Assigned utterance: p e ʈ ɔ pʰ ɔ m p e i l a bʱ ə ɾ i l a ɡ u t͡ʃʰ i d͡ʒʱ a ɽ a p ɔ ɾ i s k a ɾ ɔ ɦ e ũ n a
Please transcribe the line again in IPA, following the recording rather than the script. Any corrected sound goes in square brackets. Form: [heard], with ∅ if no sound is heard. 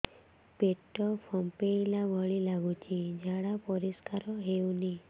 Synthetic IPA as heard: p e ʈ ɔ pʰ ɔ m p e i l a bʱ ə [ɭ] i l a ɡ u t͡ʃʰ i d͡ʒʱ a ɽ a p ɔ ɾ i s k a ɾ ɔ ɦ e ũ n [i]

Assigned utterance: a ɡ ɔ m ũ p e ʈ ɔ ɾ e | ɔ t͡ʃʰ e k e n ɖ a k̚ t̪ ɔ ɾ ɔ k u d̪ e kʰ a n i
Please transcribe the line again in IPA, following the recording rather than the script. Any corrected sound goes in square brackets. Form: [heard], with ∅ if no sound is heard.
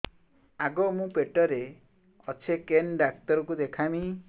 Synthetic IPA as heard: a ɡ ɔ m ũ p e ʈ ɔ ɾ e | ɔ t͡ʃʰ e k e n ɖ a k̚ t̪ ɔ ɾ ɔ k u d̪ e kʰ a [m] i

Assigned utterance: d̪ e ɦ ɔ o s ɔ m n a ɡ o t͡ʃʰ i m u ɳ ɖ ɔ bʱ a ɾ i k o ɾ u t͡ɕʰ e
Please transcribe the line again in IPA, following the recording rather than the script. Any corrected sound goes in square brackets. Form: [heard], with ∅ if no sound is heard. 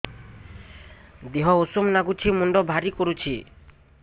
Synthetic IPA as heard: d̪ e ɦ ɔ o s [u] m n a ɡ [u] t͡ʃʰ i m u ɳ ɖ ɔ bʱ a ɾ i k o ɾ u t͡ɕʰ [i]

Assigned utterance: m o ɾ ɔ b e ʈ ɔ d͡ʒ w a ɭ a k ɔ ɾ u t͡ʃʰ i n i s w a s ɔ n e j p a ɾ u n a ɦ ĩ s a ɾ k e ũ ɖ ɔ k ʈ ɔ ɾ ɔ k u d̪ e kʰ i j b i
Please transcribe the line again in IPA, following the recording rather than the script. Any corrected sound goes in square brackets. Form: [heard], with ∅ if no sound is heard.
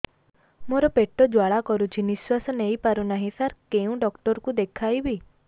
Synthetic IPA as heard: m o ɾ ɔ [p] e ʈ ɔ d͡ʒ w a ɭ a k ɔ ɾ u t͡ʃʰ i n i s w a s ɔ n e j p a ɾ u n a ɦ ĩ s a ɾ k e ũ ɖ ɔ k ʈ ɔ ɾ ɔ k u d̪ e kʰ [a] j b i

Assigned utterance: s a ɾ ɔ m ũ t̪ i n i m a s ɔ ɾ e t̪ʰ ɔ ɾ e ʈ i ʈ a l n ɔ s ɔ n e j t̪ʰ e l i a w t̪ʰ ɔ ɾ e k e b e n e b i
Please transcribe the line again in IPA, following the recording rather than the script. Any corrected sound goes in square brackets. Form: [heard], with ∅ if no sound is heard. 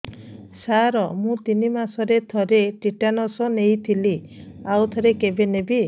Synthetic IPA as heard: s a ɾ ɔ m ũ t̪ i n i m a s ɔ ɾ e t̪ʰ ɔ ɾ e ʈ i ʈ a [∅] n ɔ s ɔ n e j t̪ʰ [i] l i a w t̪ʰ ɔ ɾ e k e b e n e b i

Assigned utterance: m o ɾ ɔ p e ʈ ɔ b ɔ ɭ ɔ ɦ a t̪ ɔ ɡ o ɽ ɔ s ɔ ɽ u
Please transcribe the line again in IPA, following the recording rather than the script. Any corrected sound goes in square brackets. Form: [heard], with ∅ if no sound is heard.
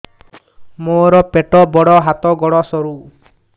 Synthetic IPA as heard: m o ɾ ɔ p e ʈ ɔ b ɔ [ɽ] ɔ ɦ a t̪ ɔ ɡ [ɔ] ɽ ɔ s ɔ [ɾ] u

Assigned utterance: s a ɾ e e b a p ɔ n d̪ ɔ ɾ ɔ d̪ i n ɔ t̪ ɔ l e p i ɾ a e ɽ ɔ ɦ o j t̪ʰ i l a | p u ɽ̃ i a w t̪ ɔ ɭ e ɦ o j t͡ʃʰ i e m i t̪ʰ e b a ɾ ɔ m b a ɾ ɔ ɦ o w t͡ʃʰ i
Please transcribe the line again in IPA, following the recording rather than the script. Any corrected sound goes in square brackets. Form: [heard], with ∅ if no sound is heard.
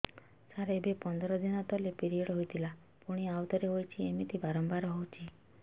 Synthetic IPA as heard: s a ɾ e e b [e] p ɔ n d̪ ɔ ɾ ɔ d̪ i n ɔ t̪ ɔ l e p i ɾ [i] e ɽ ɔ ɦ o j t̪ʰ i l a | p u ɽ̃ i a w t̪ ɔ [ɾ] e ɦ o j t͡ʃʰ i e m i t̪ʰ [i] b a ɾ ɔ m b a ɾ ɔ ɦ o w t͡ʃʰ i

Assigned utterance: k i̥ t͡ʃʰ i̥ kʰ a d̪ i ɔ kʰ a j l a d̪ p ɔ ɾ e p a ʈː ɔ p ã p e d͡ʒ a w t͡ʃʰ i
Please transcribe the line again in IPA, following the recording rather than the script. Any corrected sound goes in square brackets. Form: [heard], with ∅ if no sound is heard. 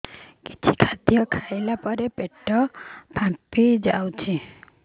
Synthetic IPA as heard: k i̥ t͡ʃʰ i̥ kʰ a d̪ [j] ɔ kʰ a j l a [∅] p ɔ ɾ e p [e] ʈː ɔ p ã p [i] d͡ʒ a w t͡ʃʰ i

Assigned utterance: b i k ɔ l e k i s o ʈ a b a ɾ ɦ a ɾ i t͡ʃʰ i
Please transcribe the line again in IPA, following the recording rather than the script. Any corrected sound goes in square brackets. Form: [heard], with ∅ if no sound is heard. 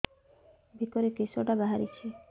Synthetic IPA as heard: b i k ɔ [ɾ] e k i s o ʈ a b a [∅] ɦ a ɾ i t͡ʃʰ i

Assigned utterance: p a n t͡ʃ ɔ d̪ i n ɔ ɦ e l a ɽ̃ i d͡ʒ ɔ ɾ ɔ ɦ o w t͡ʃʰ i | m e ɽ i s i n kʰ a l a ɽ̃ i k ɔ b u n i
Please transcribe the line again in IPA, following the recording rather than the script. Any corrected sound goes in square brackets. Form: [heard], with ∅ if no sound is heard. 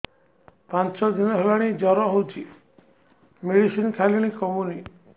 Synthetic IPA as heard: p a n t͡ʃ ɔ d̪ i n ɔ ɦ e l a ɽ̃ i d͡ʒ ɔ ɾ ɔ ɦ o w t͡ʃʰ i | m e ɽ i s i n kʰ a l [i] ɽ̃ i k ɔ [m] u n i

